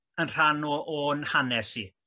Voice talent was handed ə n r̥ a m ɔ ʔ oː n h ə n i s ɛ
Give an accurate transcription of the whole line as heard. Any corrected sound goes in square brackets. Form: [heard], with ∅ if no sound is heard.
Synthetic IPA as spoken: ə n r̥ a [n] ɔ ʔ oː n h [a] n [ɛ] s [i]